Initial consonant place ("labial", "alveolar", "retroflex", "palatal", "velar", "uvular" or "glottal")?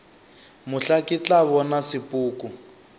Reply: labial